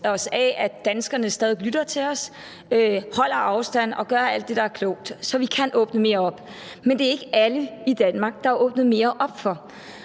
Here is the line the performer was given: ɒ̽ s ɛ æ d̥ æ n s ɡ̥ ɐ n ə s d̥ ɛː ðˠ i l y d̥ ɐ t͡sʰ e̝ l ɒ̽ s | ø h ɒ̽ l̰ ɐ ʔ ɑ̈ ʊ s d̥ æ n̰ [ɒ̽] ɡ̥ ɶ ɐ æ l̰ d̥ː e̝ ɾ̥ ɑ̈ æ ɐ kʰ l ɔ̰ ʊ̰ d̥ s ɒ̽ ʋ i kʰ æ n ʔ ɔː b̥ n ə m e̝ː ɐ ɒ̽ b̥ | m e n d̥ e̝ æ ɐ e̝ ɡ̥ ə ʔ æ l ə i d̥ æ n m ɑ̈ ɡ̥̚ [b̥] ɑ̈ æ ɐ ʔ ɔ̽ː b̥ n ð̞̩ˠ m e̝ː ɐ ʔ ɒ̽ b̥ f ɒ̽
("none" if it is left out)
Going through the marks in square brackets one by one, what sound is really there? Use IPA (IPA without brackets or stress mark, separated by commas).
ɒ̽, d̥